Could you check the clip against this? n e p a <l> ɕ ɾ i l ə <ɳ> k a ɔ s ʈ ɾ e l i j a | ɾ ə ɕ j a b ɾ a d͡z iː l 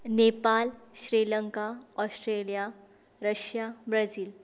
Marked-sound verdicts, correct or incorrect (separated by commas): correct, incorrect